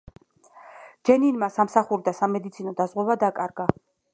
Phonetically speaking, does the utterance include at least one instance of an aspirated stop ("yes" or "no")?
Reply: no